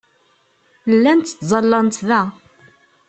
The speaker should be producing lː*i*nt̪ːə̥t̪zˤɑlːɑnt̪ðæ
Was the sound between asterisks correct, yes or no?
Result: no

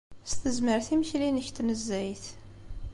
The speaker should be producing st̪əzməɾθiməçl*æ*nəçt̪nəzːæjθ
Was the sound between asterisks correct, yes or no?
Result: no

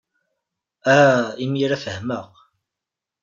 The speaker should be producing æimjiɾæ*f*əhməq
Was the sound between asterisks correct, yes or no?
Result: yes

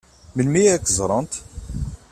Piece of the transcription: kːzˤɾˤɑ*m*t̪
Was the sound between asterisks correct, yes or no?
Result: no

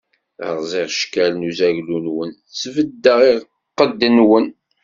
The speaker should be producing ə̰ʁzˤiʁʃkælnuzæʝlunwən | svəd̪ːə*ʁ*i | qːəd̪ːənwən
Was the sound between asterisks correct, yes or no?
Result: yes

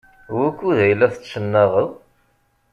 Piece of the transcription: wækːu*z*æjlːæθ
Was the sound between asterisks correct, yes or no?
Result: no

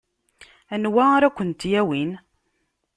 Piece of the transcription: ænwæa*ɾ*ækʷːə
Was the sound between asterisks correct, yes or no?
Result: yes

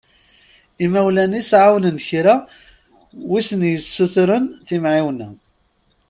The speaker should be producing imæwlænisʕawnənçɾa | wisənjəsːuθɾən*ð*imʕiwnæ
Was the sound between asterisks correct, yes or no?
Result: no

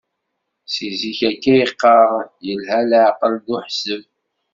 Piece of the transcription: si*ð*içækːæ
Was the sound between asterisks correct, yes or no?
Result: no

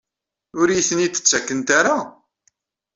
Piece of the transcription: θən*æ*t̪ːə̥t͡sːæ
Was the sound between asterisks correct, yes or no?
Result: no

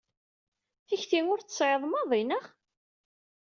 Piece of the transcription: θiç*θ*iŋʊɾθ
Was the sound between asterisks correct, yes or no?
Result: yes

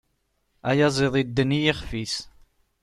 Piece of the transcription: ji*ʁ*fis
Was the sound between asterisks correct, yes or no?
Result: no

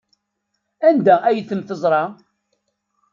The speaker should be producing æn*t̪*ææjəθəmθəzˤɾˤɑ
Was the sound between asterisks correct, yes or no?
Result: no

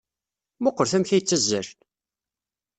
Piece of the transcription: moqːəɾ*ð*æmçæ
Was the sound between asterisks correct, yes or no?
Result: no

